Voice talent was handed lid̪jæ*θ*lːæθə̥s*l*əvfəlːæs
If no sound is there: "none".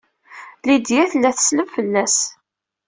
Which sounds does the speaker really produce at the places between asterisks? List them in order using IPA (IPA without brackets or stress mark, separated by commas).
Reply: θ, l